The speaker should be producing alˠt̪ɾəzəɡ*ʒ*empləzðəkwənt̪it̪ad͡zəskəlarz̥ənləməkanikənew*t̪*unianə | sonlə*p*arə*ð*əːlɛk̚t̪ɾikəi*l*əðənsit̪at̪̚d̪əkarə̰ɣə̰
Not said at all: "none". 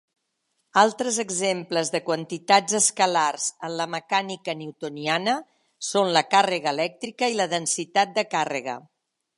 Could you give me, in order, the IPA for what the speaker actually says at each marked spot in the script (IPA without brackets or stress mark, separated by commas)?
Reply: z, t̪, k, ɣ, l